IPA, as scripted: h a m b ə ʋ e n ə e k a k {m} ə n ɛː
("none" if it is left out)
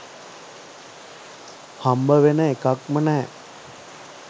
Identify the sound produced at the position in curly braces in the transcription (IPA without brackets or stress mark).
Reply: m